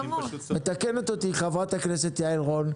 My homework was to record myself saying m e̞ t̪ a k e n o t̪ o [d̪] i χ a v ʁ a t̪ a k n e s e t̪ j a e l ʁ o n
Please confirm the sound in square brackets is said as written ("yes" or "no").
no